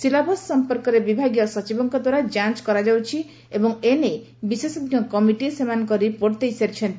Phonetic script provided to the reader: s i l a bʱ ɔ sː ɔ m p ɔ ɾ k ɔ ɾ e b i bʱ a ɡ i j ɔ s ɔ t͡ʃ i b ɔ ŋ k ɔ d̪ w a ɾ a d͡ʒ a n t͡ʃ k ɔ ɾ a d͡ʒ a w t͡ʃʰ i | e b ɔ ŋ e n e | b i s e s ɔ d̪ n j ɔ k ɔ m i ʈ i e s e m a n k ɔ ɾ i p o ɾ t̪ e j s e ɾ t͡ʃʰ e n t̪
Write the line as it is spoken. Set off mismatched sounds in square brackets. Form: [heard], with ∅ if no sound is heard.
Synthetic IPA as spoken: s i l a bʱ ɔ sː ɔ m p ɔ ɾ k ɔ ɾ e b i bʱ a ɡ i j ɔ s ɔ t͡ʃ i b ɔ ŋ k ɔ d̪ w a ɾ a d͡ʒ a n t͡ʃ k ɔ ɾ a d͡ʒ a w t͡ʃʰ i | e b ɔ ŋ e n e | b i s e s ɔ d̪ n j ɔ k ɔ m i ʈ i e s e m a n k ɔ ɾ i p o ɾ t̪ e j s e ɾ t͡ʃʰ e n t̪